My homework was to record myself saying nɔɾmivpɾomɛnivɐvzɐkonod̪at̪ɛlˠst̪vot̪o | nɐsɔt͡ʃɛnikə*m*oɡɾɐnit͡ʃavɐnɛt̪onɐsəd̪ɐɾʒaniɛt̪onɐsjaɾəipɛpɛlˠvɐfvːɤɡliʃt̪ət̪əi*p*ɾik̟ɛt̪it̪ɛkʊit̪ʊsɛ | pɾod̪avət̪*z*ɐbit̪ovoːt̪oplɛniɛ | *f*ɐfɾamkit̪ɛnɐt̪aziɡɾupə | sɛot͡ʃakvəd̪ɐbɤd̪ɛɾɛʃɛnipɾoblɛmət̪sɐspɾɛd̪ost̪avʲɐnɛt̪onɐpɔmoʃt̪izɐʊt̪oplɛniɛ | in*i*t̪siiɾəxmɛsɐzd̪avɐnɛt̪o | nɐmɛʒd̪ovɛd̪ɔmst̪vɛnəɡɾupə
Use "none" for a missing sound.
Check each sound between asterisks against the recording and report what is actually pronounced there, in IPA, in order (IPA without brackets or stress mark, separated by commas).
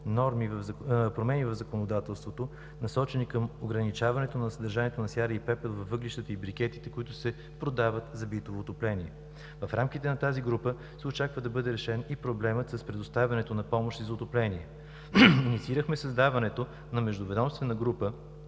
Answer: m, b, z, v, i